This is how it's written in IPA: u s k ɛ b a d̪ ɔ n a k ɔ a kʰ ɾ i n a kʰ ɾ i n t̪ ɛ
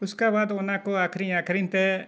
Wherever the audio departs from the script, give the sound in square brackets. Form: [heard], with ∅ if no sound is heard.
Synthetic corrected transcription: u s k [a] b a d̪ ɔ n a k ɔ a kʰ ɾ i [ɲ] a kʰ ɾ i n t̪ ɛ